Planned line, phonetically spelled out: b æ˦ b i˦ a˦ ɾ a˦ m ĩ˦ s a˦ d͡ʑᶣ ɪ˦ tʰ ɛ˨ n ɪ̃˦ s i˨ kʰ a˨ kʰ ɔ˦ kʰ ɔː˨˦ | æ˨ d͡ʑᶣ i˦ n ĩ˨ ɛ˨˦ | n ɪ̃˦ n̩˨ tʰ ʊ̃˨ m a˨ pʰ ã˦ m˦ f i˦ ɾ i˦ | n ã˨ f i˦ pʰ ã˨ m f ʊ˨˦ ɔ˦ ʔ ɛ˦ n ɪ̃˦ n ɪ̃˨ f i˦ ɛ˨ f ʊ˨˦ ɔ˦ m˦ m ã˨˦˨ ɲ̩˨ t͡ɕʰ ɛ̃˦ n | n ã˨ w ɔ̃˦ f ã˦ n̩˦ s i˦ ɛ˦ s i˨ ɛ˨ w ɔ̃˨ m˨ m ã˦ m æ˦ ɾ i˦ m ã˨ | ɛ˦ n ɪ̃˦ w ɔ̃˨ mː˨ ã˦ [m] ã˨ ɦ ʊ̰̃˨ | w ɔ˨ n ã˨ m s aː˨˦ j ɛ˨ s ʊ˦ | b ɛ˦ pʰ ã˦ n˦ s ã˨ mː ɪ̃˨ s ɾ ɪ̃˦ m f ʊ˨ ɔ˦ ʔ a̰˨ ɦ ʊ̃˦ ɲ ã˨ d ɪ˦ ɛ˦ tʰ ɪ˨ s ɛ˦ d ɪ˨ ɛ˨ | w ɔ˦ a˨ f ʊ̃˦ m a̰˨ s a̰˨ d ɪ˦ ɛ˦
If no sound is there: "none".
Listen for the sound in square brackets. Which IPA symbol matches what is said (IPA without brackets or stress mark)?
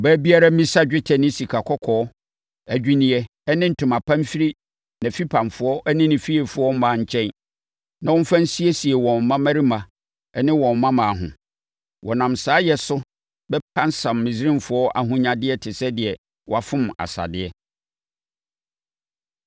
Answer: m